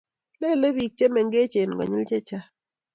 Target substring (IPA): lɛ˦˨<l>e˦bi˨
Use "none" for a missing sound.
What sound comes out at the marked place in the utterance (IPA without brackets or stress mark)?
l